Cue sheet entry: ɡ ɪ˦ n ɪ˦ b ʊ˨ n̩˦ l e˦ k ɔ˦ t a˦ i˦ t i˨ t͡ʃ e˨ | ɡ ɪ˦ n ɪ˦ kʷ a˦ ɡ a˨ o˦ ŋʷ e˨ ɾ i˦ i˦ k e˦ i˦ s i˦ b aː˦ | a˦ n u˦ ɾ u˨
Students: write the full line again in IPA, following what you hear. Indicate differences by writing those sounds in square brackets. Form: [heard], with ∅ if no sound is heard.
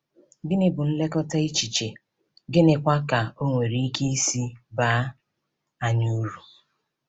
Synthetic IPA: ɡ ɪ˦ n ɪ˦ b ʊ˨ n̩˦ l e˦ k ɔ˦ t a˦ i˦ [t͡ʃ] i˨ t͡ʃ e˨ | ɡ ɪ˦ n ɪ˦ kʷ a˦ [k] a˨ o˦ ŋʷ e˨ ɾ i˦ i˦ k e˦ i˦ s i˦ b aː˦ | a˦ [ɲ] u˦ ɾ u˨